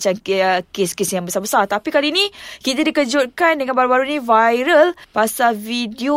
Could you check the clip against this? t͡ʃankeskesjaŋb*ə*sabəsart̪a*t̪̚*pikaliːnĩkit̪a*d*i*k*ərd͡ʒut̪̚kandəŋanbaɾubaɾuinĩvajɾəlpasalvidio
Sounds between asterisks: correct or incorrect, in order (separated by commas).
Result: correct, incorrect, correct, correct